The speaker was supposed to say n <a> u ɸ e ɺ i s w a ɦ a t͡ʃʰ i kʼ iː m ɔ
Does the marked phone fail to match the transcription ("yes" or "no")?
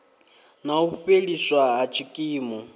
no